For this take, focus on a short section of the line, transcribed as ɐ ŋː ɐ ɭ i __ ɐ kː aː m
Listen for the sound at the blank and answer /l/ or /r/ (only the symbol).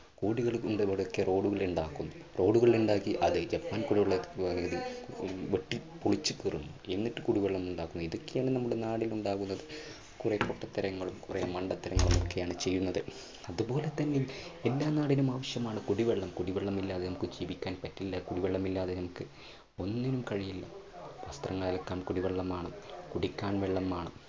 l